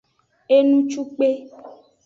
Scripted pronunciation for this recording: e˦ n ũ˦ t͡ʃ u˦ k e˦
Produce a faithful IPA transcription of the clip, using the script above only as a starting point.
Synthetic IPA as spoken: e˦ n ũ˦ t͡ʃ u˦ k͡p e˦